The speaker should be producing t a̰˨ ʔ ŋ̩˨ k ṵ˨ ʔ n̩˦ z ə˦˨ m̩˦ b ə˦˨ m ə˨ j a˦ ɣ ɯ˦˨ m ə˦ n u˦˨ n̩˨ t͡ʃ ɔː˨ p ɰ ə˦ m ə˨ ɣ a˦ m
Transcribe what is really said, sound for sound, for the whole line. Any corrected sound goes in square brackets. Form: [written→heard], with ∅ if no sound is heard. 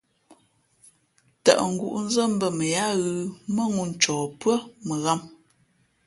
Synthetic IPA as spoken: t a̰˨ ʔ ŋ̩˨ [k→ɡ] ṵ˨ ʔ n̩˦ z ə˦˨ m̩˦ b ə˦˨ m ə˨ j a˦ ɣ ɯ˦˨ m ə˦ [n→ŋ] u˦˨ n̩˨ t͡ʃ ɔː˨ p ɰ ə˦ m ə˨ ɣ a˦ m